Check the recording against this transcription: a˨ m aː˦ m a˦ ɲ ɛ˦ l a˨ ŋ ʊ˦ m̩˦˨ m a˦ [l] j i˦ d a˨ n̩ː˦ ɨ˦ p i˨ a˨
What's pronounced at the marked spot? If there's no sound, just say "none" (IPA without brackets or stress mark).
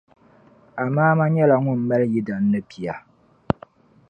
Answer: l